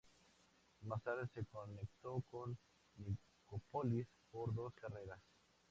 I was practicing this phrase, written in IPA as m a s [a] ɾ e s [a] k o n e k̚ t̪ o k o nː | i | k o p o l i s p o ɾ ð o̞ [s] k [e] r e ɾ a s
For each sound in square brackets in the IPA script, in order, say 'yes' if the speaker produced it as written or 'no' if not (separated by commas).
yes, no, yes, no